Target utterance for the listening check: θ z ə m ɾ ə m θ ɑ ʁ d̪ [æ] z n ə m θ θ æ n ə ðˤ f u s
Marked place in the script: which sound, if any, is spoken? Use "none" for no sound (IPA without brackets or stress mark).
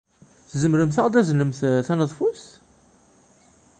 æ